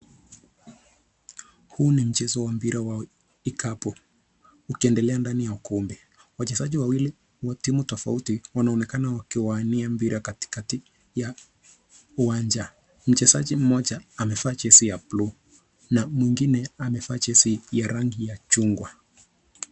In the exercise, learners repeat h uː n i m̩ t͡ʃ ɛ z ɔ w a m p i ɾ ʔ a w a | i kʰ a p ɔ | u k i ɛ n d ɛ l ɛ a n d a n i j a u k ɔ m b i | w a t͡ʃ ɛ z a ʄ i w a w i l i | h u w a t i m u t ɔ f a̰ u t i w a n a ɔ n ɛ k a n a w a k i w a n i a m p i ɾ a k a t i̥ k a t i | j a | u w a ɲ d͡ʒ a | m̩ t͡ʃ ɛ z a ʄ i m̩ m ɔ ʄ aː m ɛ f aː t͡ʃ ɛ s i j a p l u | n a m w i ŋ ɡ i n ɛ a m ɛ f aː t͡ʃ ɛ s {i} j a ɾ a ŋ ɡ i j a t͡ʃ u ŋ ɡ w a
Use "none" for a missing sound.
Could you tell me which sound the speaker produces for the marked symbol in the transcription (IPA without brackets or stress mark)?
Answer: i